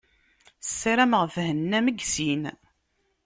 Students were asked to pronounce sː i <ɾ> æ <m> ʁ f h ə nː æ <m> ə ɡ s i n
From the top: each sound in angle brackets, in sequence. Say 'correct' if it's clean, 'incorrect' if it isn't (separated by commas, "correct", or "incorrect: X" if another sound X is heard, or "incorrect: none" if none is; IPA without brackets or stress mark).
correct, correct, correct